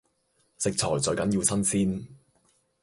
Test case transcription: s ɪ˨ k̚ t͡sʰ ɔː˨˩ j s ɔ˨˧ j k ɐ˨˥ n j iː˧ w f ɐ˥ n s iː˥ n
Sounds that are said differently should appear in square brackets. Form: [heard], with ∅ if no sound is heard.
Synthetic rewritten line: s ɪ˨ k̚ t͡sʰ ɔː˨˩ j [t͡s] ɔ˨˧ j k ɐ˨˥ n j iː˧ w [s] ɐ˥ n s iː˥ n

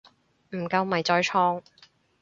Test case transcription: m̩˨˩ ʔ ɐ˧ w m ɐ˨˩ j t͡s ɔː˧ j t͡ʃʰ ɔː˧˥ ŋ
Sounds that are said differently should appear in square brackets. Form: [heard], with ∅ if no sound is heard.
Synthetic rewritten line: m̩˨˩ [k] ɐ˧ w m ɐ˨˩ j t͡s ɔː˧ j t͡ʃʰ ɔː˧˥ ŋ

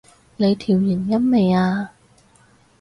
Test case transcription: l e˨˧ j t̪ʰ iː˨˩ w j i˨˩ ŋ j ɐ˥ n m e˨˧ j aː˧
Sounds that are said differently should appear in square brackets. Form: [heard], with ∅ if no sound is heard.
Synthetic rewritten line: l e˨˧ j t̪ʰ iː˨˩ w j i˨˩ [n] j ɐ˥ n m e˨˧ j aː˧

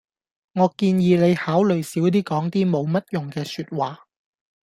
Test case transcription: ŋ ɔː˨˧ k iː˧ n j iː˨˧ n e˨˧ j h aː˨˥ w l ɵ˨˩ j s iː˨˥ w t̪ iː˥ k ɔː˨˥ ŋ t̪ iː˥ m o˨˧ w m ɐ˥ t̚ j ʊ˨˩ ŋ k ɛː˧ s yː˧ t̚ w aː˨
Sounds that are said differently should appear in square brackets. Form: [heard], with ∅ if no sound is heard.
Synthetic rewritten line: ŋ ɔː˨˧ k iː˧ n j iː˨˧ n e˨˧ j h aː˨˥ w l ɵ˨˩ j s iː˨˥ w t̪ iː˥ k ɔː˨˥ ŋ t̪ iː˥ m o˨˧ w m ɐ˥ t̚ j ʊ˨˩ ŋ k ɛː˧ s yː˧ t̚ w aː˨

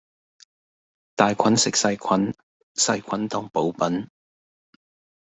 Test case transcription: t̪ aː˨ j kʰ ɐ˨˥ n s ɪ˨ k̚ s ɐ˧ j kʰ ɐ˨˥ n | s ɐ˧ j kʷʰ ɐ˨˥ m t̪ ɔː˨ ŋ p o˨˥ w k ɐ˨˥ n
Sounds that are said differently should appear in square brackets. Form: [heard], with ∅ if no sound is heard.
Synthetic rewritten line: t̪ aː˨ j kʰ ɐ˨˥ n s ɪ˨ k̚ s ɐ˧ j kʰ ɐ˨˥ n | s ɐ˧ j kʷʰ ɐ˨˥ [n] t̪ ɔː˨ ŋ p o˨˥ w [p] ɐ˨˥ n

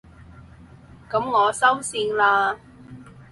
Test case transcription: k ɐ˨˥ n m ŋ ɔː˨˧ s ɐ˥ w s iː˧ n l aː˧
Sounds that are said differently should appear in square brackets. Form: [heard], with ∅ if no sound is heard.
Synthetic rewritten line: k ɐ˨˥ [∅] m ŋ ɔː˨˧ s ɐ˥ w s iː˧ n l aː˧

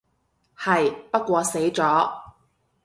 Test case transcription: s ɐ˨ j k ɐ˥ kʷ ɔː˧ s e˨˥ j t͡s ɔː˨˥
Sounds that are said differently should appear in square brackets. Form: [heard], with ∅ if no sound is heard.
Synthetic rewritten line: [h] ɐ˨ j [p] ɐ˥ kʷ ɔː˧ s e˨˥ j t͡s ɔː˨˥

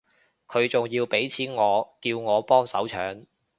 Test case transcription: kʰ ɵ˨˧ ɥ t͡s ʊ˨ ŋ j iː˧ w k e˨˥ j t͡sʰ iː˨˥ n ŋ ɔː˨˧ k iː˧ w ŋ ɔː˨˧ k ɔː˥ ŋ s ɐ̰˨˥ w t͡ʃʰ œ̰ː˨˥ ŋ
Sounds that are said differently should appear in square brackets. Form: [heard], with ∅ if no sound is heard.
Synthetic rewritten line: kʰ ɵ˨˧ ɥ t͡s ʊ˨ ŋ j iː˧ w [p] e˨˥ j t͡sʰ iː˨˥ n ŋ ɔː˨˧ k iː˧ w ŋ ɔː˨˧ [p] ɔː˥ ŋ s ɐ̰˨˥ w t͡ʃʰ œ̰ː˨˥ ŋ

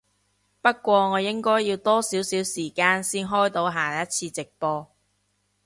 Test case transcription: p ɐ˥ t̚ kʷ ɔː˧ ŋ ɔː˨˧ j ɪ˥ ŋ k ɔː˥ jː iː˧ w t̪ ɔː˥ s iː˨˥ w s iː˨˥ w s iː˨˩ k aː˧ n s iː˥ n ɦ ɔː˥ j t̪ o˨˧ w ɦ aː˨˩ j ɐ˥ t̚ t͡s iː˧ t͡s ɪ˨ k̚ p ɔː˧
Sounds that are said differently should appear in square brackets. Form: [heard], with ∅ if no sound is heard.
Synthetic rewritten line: p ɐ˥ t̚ kʷ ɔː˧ ŋ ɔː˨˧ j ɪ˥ ŋ k ɔː˥ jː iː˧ w t̪ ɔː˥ s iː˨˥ w s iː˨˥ w s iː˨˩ k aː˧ n s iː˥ n ɦ ɔː˥ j t̪ o˨˧ w ɦ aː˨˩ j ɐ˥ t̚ [t͡sʰ] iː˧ t͡s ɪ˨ k̚ p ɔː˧

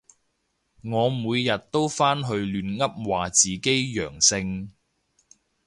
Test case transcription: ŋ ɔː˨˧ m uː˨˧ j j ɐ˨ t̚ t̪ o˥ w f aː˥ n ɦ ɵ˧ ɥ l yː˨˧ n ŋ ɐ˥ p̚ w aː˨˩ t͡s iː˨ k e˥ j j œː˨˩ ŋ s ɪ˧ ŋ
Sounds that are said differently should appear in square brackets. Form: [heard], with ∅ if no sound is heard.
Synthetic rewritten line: ŋ ɔː˨˧ m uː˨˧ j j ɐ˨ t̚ t̪ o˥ w f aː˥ n ɦ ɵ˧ ɥ l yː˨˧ n ŋ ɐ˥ p̚ w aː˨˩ t͡s iː˨ k e˥ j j œː˨˩ ŋ s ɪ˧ ŋ

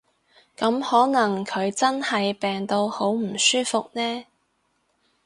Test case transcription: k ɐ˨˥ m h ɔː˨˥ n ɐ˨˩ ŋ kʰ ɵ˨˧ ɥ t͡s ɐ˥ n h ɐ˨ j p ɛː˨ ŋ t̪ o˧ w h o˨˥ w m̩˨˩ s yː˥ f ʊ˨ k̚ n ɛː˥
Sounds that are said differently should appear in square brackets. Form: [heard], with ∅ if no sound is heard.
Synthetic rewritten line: k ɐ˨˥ m h ɔː˨˥ n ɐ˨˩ ŋ kʰ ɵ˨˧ ɥ t͡s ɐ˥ n h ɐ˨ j p ɛː˨ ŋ t̪ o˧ w h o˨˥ w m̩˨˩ s yː˥ f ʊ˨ k̚ n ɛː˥

